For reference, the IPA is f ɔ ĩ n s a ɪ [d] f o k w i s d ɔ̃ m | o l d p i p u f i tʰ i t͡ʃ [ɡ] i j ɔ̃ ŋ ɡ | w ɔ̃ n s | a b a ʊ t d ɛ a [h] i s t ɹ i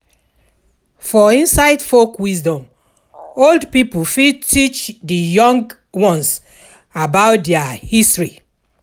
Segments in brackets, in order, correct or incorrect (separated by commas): correct, incorrect, correct